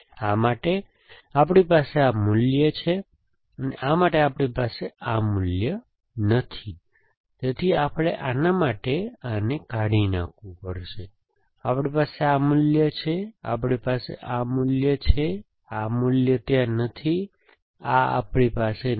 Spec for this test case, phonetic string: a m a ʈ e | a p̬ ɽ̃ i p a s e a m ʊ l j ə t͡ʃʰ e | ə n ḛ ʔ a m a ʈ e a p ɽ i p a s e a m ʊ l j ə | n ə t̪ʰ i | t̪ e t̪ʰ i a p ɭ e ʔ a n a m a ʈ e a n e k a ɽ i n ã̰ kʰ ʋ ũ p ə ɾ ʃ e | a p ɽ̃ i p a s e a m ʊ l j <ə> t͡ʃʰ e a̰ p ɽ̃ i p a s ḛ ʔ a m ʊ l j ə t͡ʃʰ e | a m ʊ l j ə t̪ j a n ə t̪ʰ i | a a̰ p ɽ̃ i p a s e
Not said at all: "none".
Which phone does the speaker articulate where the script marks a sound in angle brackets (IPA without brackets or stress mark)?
ə